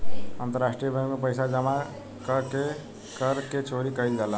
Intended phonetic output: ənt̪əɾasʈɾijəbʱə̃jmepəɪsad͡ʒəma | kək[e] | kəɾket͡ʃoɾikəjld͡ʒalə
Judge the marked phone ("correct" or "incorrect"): correct